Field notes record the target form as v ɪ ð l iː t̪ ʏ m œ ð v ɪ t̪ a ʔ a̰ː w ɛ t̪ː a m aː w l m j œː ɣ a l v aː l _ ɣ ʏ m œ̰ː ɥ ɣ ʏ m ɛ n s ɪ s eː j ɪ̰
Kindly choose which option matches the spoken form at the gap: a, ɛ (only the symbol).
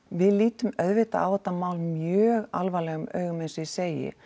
ɛ